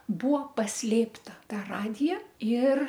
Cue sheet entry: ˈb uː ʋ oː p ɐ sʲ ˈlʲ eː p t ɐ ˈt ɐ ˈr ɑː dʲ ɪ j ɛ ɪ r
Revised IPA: ˈb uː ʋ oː p ɐ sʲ ˈlʲ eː p t ɐ ˈt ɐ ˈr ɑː dʲ ɪ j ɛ ɪ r